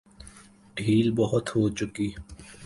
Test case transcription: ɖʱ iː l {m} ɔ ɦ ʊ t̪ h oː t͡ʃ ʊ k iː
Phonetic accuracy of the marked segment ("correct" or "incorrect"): incorrect